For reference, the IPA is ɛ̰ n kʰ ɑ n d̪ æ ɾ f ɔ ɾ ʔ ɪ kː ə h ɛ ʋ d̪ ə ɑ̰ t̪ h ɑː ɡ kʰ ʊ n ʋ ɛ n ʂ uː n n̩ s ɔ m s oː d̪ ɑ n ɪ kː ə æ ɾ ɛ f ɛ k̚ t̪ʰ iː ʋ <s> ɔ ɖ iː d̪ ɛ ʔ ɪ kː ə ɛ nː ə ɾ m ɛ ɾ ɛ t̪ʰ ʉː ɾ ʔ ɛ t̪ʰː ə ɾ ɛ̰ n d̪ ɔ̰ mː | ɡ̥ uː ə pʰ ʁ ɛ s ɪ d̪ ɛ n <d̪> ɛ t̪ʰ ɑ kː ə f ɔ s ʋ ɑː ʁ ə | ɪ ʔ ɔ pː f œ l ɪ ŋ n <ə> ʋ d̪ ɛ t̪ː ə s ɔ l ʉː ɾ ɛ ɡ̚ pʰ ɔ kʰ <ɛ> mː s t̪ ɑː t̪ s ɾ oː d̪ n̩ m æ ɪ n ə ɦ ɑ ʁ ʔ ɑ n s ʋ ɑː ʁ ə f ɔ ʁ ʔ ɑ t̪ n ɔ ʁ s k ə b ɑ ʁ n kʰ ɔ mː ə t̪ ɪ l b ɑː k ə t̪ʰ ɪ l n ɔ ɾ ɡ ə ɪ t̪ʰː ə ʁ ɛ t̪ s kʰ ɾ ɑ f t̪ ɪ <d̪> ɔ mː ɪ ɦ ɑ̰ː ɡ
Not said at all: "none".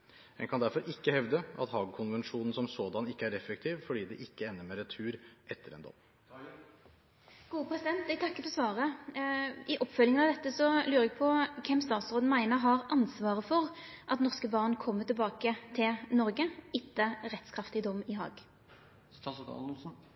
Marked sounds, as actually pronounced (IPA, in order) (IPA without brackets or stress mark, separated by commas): f, t̪, ɑ, ɛ, d̪